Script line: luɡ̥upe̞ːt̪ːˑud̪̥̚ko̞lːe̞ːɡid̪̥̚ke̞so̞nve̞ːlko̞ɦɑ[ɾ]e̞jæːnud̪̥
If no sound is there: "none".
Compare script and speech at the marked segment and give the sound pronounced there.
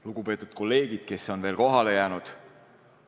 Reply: l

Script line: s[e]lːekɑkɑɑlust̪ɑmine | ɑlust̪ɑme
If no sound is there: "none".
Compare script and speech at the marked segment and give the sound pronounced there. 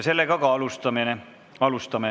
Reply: e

